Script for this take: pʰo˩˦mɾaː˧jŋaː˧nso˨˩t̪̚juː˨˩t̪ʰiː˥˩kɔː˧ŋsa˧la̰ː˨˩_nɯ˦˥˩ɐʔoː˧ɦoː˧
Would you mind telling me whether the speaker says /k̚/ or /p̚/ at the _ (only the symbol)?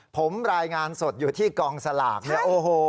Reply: k̚